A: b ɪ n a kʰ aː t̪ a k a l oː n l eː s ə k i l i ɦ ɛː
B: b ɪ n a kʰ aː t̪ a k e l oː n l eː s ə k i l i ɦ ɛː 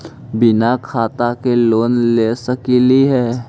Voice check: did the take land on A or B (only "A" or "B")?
B